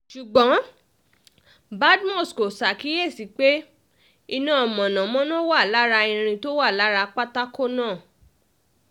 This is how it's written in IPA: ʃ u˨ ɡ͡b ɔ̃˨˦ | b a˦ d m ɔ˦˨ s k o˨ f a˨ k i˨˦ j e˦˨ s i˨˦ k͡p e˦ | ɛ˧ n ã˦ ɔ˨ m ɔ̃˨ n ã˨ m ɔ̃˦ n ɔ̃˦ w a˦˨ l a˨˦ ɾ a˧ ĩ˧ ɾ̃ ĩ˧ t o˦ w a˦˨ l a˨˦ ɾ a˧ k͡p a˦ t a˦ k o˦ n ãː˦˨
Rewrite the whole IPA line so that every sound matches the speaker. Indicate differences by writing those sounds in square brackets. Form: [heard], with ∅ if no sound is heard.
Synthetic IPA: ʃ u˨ ɡ͡b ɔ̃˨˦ | b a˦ d m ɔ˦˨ s k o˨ [s] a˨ k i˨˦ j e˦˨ s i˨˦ k͡p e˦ | [i˧] n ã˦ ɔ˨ m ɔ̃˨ n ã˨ m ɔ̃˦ n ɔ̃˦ w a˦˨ l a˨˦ ɾ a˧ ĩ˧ ɾ̃ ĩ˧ t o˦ w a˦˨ l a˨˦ ɾ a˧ k͡p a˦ t a˦ k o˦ n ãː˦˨